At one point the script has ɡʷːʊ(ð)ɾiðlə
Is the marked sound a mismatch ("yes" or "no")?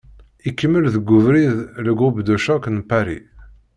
yes